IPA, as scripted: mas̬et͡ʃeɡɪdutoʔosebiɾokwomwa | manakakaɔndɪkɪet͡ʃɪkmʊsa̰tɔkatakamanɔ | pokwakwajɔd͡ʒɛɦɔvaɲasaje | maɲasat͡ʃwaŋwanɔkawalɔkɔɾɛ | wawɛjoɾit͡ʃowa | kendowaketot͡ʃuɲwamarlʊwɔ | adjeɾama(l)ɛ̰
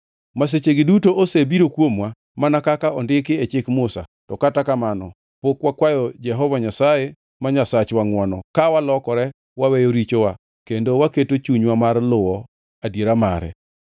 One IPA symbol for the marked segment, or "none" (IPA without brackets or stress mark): ɾ